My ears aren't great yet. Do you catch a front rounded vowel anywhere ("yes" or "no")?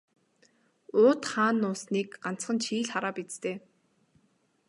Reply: no